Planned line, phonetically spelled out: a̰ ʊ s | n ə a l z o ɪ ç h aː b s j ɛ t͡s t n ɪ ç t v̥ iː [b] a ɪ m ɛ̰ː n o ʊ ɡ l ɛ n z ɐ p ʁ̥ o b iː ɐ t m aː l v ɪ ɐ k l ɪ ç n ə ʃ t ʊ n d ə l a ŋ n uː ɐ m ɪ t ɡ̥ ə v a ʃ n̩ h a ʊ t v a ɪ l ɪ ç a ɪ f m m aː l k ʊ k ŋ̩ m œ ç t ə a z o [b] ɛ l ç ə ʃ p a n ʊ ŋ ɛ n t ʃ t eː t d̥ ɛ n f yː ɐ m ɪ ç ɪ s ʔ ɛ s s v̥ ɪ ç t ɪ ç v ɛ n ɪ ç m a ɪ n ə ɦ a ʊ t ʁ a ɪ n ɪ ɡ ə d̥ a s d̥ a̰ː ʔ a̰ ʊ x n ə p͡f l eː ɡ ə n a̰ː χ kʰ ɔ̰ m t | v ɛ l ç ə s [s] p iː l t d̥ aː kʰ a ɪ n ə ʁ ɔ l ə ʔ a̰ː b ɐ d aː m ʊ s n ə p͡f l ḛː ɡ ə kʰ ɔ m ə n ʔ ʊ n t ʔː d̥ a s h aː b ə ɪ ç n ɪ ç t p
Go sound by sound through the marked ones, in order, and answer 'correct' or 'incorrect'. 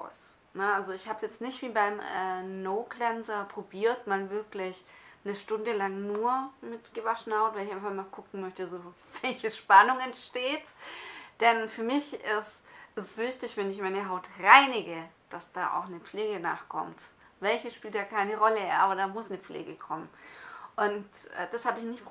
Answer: correct, incorrect, incorrect

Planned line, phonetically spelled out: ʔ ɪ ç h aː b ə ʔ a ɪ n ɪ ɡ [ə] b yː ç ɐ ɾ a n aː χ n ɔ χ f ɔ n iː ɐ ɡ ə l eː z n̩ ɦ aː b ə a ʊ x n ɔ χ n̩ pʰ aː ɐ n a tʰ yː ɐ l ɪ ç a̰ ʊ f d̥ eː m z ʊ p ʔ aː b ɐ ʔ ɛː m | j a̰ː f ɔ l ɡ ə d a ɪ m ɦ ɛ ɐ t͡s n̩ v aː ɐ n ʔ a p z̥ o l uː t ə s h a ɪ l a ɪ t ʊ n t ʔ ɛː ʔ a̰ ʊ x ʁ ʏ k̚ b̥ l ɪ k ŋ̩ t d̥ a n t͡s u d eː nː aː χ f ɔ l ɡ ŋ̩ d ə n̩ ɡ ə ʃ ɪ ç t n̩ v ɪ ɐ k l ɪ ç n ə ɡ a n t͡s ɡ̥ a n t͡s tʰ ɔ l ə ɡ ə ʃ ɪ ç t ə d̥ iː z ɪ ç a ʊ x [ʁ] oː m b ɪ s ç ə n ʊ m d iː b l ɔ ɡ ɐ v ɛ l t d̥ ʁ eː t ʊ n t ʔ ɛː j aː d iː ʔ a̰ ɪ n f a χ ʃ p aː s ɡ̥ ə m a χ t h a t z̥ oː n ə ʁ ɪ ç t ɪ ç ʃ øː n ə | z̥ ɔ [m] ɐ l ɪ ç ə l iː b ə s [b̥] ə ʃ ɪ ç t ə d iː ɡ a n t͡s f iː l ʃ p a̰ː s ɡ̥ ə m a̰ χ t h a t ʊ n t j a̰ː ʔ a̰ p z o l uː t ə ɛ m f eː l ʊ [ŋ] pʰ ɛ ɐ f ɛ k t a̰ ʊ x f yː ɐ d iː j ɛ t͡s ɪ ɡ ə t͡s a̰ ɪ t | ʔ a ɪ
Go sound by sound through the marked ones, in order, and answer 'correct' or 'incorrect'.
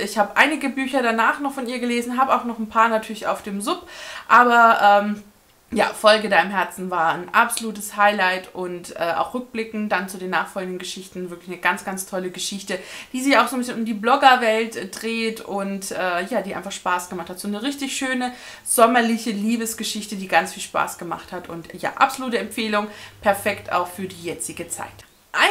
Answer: correct, incorrect, correct, incorrect, correct

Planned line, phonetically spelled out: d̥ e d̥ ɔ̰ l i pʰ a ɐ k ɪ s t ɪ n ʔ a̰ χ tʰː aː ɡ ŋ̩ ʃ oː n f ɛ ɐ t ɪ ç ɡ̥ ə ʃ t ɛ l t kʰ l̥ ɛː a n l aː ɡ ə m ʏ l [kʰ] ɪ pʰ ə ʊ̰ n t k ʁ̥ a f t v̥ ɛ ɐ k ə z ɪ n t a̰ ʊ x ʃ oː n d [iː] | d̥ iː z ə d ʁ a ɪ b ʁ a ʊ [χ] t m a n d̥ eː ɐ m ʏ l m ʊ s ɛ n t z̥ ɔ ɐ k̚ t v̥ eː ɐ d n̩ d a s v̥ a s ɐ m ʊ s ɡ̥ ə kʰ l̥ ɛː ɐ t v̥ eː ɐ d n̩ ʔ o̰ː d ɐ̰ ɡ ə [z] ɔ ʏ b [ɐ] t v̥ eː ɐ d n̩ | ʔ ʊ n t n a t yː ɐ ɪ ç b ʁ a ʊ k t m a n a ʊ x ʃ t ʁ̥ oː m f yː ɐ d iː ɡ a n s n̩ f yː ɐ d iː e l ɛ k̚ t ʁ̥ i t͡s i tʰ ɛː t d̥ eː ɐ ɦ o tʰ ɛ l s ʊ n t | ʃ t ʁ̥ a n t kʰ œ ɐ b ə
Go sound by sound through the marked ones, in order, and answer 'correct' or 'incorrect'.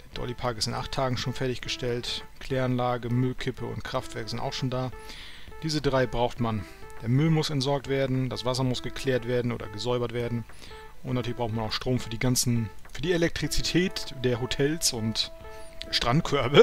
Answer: correct, incorrect, incorrect, correct, correct

